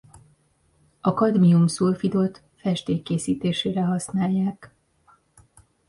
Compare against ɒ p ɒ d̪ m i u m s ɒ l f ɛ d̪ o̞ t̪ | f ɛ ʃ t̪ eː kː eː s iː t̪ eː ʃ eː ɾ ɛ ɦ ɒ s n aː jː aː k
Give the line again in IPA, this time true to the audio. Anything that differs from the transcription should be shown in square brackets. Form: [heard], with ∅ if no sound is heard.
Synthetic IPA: ɒ [k] ɒ d̪ m i u m s [u] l f [i] d̪ o̞ t̪ | f ɛ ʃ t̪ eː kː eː s iː t̪ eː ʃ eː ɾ ɛ ɦ ɒ s n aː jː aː k

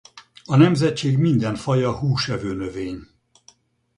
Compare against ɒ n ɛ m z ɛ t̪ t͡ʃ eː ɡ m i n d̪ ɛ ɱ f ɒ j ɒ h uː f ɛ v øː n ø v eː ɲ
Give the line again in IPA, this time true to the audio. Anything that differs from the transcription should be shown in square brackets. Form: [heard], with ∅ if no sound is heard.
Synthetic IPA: ɒ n ɛ m z ɛ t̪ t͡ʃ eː ɡ m i n d̪ ɛ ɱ f ɒ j ɒ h uː [ʃ] ɛ v øː n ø v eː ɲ

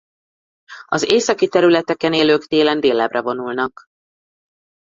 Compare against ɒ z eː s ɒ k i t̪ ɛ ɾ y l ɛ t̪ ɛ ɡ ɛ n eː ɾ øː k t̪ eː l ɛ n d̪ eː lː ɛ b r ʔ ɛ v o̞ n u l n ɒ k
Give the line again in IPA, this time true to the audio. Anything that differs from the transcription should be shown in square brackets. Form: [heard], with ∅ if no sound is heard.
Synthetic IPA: ɒ z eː s ɒ k i t̪ ɛ ɾ y l ɛ t̪ ɛ [k] ɛ n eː [l] øː k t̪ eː l ɛ n d̪ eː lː ɛ b r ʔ ɛ v o̞ n u l n ɒ k

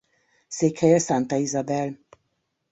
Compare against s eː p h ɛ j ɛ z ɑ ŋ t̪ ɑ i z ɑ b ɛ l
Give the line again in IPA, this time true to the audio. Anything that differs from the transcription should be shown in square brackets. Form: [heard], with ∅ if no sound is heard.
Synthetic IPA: s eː [k] h ɛ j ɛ [s] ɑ [n] t̪ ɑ i z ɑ b ɛ l

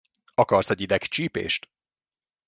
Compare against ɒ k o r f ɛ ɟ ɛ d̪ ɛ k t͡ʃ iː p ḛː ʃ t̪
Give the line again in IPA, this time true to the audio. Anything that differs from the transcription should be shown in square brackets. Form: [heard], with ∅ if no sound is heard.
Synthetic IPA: ɒ k [ɒ] r [s] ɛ ɟ [i] d̪ ɛ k t͡ʃ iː p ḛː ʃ t̪

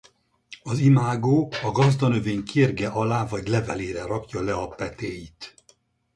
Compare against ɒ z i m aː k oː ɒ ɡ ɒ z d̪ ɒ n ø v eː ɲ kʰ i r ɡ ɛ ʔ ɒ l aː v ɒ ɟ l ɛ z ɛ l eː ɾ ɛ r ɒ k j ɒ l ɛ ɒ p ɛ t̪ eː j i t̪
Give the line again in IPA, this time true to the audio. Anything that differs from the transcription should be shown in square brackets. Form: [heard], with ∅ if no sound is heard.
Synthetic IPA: ɒ z i m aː [ɡ] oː ɒ ɡ ɒ z d̪ ɒ n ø v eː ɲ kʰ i r ɡ ɛ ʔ ɒ l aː v ɒ ɟ l ɛ [v] ɛ l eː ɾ ɛ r ɒ k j ɒ l ɛ ɒ p ɛ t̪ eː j i t̪

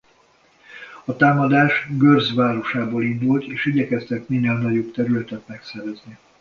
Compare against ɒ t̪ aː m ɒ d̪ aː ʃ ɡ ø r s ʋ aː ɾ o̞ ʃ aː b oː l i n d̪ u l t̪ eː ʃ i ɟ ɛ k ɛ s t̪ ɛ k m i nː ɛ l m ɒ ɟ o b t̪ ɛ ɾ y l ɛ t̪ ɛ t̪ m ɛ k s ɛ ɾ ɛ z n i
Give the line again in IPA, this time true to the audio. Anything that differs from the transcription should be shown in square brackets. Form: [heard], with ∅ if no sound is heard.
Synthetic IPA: ɒ t̪ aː m ɒ d̪ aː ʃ ɡ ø r [z] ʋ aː ɾ o̞ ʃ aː b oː l i n d̪ u l t̪ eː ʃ i ɟ ɛ k ɛ s t̪ ɛ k m i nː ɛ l [n] ɒ ɟ o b t̪ ɛ ɾ y l ɛ t̪ ɛ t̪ m ɛ k s ɛ ɾ ɛ z n i

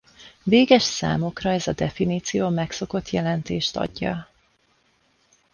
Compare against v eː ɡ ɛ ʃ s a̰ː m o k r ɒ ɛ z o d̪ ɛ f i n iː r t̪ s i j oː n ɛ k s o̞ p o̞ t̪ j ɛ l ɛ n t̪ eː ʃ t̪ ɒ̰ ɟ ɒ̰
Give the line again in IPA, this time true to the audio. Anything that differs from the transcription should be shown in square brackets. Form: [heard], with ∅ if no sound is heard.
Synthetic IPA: v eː ɡ ɛ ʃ s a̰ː m o k r ɒ ɛ z [ɒ] d̪ ɛ f i n iː [∅] t̪ s i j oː [m] ɛ k s o̞ [k] o̞ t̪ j ɛ l ɛ n t̪ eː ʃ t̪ ɒ̰ [ɟː] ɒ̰

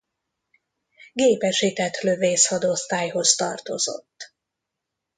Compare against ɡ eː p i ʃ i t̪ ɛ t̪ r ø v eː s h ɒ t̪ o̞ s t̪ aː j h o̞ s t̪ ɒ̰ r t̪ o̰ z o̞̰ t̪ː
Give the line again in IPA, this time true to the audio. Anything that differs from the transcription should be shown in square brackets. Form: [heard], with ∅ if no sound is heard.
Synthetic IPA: ɡ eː p [ɛ] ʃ i t̪ ɛ t̪ [l] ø v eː s h ɒ [d̪] o̞ s t̪ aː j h o̞ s t̪ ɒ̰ r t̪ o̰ z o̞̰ t̪ː

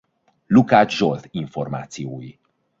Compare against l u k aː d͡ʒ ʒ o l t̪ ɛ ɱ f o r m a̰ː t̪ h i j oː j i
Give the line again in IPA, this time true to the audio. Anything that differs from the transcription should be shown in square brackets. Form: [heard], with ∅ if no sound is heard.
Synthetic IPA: l u k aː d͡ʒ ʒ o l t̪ [i] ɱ f o r m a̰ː t̪ [s] i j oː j i

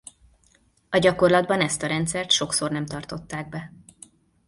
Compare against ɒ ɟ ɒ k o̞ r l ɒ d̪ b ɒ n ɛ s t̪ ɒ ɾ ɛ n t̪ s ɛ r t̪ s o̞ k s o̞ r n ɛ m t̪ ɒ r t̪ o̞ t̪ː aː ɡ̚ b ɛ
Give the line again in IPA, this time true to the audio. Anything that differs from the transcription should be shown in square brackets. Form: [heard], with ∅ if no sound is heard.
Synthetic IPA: ɒ ɟ ɒ k o̞ r l ɒ d̪ b ɒ n ɛ s t̪ ɒ ɾ ɛ n t̪ s ɛ r t̪ [ʃ] o̞ k s o̞ r n ɛ m t̪ ɒ r t̪ o̞ t̪ː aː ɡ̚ b ɛ

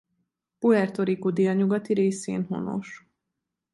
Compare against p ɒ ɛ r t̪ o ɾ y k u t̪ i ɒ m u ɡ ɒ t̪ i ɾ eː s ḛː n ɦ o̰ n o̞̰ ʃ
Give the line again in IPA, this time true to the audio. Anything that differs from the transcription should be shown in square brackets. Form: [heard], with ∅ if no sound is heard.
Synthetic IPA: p [u] ɛ r t̪ o ɾ [i] k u [d̪] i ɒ [ɲ] u ɡ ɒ t̪ i ɾ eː s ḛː n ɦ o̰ n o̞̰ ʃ

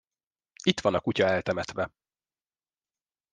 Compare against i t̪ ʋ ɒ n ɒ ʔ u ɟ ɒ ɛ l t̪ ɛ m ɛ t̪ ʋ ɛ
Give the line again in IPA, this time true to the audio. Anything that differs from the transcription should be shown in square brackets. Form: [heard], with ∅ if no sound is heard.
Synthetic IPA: i t̪ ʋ ɒ n ɒ [k] u [c] ɒ ɛ l t̪ ɛ m ɛ t̪ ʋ ɛ

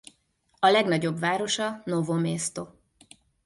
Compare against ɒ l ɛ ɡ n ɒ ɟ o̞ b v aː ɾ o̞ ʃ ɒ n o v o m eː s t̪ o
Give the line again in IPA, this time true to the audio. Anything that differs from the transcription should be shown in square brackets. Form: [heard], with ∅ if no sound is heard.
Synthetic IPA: ɒ l ɛ ɡ n ɒ ɟ o̞ b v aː ɾ o̞ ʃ ɒ n o v o m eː s t̪ o

